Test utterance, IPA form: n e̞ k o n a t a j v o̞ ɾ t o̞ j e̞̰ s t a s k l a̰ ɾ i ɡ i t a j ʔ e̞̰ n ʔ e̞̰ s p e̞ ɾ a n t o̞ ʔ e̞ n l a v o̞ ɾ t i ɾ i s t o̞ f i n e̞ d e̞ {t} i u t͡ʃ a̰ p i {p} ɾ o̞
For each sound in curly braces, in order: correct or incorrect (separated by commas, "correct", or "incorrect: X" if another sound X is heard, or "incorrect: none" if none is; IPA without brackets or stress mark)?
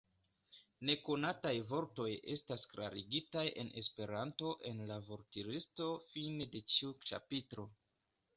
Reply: incorrect: t͡ʃ, incorrect: t